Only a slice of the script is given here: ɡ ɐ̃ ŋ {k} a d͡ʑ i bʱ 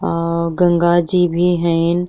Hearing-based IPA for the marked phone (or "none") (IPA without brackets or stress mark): ɡ